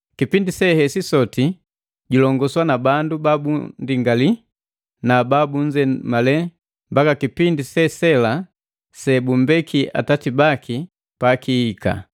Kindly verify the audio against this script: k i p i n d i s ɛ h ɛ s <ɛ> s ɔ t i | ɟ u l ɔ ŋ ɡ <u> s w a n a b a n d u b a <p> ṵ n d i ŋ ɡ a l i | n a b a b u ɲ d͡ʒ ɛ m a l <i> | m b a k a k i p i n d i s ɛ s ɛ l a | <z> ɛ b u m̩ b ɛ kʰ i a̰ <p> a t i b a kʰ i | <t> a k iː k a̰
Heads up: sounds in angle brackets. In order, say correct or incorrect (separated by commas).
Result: incorrect, incorrect, incorrect, incorrect, incorrect, incorrect, incorrect